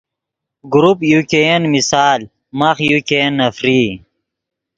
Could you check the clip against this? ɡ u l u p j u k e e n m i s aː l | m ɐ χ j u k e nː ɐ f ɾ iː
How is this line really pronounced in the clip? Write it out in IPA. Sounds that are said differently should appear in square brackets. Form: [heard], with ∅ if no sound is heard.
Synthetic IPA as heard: ɡ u [ɾ] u p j u k e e n m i s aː l | m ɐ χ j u k e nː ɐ f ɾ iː